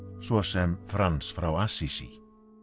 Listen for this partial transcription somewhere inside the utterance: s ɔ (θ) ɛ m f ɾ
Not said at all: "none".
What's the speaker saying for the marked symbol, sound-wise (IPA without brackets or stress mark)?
s